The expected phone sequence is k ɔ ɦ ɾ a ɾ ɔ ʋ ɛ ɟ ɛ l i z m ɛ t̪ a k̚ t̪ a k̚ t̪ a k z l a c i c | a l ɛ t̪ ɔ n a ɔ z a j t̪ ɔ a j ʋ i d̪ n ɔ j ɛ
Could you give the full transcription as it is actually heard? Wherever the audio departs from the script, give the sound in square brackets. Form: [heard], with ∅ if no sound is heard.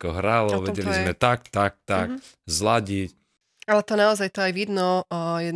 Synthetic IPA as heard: k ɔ ɦ ɾ a [l] ɔ ʋ ɛ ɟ ɛ l i z m ɛ t̪ a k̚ t̪ a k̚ t̪ a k z l a [ɟ] i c | a l ɛ t̪ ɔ n a ɔ z a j t̪ ɔ a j ʋ i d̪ n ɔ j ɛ